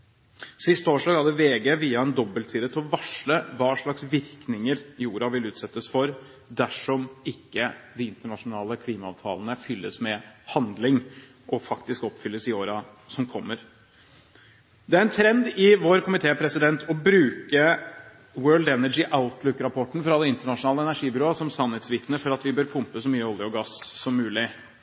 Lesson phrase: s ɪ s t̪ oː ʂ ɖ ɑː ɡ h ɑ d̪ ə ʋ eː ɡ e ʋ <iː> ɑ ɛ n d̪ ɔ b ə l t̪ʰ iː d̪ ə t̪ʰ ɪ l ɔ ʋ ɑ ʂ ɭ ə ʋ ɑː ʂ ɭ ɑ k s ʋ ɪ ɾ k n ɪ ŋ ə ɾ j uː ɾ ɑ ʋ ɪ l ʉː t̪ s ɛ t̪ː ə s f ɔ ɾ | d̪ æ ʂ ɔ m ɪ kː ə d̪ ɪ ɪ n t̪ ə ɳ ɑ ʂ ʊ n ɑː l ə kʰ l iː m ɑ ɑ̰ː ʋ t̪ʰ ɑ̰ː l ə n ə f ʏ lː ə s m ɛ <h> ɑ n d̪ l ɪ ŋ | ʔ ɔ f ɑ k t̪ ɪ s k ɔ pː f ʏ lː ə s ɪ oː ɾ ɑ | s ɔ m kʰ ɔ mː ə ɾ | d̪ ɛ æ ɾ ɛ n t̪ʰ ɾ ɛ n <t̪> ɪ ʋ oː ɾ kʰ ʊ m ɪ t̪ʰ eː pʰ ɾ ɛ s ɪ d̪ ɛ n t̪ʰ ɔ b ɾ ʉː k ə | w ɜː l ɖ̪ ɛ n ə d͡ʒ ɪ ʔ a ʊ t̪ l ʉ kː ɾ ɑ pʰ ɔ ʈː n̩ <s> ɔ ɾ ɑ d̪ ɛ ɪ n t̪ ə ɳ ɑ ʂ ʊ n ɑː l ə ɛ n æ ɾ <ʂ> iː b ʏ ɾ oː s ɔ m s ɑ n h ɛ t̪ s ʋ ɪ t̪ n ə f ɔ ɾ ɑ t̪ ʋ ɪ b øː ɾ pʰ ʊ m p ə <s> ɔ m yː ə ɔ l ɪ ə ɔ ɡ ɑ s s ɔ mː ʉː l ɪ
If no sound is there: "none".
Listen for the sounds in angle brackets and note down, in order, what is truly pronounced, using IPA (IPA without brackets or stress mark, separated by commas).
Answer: iː, h, d̪, f, ʂ, s